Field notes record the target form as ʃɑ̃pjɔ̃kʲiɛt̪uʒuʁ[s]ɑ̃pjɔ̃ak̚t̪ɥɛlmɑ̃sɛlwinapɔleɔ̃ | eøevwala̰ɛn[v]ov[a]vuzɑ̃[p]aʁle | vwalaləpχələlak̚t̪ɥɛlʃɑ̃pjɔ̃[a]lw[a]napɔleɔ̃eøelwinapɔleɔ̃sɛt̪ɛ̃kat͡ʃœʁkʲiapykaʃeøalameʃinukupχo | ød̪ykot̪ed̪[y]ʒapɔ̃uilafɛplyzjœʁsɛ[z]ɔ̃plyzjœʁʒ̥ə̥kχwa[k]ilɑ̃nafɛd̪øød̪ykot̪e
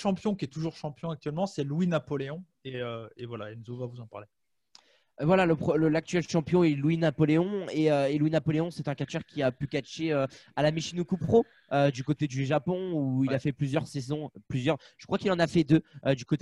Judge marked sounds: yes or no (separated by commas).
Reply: no, no, yes, yes, no, no, yes, yes, yes